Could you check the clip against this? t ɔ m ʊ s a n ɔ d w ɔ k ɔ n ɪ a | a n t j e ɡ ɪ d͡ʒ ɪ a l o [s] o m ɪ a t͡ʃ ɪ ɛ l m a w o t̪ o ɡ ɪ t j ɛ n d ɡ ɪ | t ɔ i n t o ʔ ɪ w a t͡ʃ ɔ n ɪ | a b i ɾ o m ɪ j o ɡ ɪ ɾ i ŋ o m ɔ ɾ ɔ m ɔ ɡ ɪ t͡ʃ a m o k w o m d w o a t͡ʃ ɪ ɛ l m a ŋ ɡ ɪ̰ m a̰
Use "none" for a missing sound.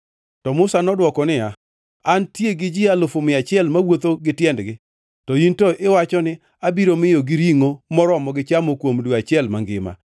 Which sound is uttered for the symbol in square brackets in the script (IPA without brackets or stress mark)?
f